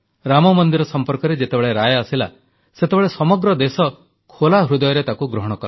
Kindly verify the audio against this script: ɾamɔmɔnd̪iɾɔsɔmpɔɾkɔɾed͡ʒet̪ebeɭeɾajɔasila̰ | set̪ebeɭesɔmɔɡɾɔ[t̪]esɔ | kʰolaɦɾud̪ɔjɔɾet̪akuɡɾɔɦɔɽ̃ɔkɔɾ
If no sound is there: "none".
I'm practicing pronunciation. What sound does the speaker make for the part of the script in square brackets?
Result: d̪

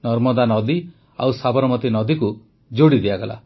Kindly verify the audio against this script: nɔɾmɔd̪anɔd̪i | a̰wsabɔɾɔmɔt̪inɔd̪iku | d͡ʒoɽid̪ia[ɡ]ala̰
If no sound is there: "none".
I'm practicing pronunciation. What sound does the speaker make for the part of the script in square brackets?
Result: ɡ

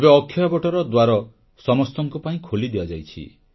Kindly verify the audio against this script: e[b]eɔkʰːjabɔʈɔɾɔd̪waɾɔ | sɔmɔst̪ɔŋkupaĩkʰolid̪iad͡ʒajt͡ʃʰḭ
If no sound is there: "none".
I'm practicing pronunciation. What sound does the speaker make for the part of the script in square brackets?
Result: b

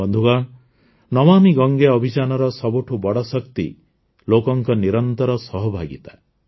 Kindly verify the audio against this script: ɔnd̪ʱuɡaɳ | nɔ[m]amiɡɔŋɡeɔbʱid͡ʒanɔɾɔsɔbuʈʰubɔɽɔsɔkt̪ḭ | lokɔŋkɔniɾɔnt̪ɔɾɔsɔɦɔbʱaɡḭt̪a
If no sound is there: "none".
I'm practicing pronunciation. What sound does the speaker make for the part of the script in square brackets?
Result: m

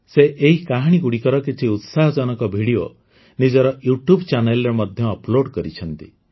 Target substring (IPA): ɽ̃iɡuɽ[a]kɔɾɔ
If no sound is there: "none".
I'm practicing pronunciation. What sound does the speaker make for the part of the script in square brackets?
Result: i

